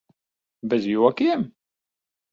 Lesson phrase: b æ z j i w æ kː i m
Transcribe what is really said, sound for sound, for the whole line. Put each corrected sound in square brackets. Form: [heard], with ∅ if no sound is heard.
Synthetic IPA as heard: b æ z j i w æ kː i m